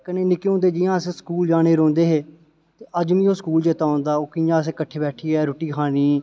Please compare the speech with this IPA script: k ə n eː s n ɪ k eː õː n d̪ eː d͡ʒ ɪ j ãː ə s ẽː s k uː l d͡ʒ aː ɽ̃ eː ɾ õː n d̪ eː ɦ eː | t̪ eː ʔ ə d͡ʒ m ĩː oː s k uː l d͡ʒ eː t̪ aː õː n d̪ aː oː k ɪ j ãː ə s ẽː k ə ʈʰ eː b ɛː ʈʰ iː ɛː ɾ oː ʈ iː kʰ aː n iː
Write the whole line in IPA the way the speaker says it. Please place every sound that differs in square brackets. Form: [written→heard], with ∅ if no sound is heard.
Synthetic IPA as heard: k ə n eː [s→∅] n ɪ k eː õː n d̪ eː d͡ʒ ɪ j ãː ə s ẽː s k uː l d͡ʒ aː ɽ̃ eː ɾ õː n d̪ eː ɦ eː | t̪ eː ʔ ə d͡ʒ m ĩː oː s k uː l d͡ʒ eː t̪ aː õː n d̪ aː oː k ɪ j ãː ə s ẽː k ə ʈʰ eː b ɛː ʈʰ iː ɛː ɾ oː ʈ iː kʰ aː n iː